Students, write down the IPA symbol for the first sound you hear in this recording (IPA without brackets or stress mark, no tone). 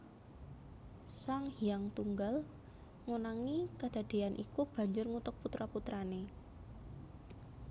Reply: s